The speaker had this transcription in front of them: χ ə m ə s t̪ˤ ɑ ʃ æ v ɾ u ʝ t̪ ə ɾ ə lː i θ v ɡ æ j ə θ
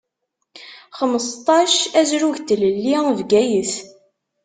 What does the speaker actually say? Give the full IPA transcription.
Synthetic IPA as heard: χ ə m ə s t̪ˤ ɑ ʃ æ z ɾ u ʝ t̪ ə l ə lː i v ɡ æ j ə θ